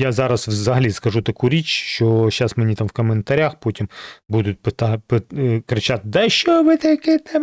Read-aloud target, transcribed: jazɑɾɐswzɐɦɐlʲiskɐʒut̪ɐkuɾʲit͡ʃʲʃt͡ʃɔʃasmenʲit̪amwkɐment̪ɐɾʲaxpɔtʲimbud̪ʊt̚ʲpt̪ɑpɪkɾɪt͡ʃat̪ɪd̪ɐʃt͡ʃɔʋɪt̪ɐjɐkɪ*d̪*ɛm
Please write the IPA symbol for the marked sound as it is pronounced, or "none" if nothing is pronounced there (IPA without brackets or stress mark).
t̪